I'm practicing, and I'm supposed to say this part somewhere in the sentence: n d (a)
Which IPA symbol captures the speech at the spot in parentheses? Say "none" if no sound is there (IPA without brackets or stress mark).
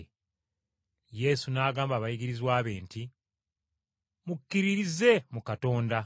a